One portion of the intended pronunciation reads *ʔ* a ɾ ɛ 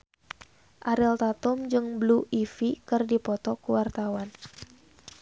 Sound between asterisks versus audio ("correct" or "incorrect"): correct